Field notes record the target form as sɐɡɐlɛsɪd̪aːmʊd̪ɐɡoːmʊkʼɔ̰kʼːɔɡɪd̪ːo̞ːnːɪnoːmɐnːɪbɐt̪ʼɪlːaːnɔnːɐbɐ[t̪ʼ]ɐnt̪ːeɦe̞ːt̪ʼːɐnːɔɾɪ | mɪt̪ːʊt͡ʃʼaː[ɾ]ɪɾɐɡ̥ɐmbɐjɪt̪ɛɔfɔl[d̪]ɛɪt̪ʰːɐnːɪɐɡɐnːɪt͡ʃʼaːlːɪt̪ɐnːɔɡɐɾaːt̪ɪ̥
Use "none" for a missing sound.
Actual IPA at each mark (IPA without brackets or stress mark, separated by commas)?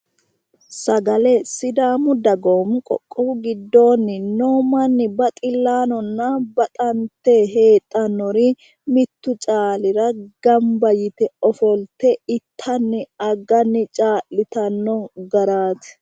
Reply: t̪ʼ, l, t̪